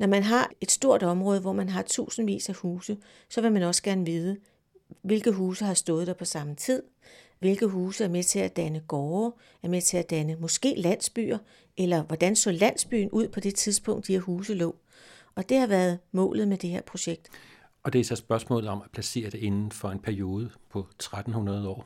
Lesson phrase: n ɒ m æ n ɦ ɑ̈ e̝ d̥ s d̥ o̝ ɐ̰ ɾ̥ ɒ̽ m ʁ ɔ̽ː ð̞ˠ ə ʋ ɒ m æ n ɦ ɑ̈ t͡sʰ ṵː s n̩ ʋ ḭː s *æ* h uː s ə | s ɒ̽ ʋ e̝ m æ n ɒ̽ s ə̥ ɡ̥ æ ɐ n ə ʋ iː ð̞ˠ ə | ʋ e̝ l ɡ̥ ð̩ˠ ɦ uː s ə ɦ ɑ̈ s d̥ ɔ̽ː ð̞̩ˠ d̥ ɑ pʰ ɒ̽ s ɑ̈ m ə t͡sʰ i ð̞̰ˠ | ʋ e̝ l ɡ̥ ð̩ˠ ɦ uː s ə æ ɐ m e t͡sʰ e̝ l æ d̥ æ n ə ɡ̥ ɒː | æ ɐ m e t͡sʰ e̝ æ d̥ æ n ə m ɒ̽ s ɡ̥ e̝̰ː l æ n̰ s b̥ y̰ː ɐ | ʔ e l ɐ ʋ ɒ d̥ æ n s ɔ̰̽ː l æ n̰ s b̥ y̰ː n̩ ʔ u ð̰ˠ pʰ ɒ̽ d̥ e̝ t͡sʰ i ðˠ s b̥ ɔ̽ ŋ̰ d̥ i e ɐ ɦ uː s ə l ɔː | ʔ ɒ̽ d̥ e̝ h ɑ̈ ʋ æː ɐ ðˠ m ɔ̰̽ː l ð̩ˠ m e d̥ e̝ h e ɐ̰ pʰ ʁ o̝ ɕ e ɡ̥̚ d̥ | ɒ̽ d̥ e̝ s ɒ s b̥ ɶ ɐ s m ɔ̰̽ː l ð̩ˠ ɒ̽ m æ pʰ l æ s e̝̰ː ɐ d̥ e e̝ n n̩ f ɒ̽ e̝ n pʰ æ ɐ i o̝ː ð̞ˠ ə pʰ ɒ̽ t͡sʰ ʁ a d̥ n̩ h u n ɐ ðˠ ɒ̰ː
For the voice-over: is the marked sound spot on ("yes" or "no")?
yes